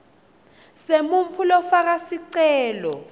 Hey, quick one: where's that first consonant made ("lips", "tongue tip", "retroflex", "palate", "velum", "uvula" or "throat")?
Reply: tongue tip